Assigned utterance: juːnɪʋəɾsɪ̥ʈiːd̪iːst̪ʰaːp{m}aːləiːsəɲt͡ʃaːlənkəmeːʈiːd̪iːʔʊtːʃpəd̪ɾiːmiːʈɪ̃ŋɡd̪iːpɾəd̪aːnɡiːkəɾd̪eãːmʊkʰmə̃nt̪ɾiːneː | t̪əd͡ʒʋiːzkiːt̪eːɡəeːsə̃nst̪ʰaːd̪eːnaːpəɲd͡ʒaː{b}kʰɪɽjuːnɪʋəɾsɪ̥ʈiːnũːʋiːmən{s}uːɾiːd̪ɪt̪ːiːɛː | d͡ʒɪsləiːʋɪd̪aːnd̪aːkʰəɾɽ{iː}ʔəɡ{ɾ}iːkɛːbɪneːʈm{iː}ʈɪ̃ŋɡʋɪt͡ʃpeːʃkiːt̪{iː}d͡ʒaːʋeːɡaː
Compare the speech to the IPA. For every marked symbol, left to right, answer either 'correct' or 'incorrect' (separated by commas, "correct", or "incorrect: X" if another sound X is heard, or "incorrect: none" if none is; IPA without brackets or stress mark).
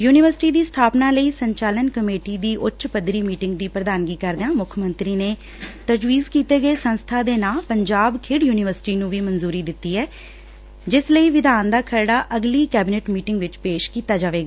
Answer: incorrect: n, correct, incorrect: z, incorrect: aː, incorrect: l, correct, incorrect: aː